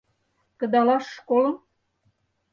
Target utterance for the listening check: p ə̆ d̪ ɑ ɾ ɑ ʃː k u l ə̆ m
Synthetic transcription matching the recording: k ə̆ d̪ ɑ l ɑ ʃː k o l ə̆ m